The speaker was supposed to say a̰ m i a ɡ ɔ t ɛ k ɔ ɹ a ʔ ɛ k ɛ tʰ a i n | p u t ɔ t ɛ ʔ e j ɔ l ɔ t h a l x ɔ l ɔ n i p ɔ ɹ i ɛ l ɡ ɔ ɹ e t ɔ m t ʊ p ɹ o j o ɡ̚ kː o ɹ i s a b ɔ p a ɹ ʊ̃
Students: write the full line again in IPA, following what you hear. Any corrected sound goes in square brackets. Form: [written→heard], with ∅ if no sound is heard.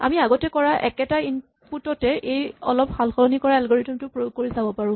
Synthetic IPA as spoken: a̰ m i a ɡ ɔ t ɛ k ɔ ɹ a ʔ ɛ k ɛ [tʰ→t] a i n | p u t ɔ t ɛ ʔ e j ɔ l ɔ [t→p] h a l x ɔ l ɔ n i [p→k] ɔ ɹ [i→a] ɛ l ɡ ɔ ɹ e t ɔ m t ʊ p ɹ o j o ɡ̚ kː o ɹ i s a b ɔ p a ɹ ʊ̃